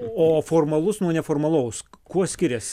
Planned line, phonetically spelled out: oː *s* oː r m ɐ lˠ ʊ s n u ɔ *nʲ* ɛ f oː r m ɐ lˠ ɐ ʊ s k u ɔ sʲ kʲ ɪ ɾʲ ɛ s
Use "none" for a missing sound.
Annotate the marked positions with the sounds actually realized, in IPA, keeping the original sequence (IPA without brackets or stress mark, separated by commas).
f, nʲ